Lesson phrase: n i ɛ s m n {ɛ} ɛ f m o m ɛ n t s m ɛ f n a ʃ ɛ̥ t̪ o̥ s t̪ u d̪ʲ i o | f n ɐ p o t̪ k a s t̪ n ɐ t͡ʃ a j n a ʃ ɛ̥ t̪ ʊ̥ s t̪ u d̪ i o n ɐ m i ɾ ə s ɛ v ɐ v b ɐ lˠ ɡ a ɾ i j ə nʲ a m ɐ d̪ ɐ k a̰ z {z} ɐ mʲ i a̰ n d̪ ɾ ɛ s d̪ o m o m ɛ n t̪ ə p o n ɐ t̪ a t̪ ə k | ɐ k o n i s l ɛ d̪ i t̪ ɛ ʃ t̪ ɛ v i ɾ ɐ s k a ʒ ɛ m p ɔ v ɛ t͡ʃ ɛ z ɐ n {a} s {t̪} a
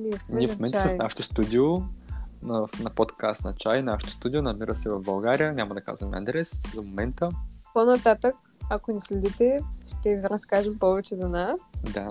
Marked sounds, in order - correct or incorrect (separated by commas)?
incorrect, incorrect, correct, incorrect